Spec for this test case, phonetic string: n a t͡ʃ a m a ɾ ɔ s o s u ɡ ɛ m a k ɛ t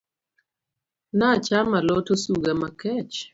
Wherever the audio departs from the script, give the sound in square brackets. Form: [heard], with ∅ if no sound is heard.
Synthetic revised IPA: n a t͡ʃ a m a [l] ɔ [t] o s u ɡ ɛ m a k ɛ [t͡ʃ]